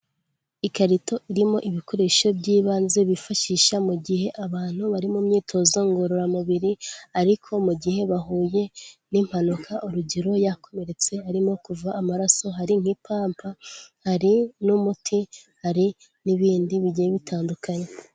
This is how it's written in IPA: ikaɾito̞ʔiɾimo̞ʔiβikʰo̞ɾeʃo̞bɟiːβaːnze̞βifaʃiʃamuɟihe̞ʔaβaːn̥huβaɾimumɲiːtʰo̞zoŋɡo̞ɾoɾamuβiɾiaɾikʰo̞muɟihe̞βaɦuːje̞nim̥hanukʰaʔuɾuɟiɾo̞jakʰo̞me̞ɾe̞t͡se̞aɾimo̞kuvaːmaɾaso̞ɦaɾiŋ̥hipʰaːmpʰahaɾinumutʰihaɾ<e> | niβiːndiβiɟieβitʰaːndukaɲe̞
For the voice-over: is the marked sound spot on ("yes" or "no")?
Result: no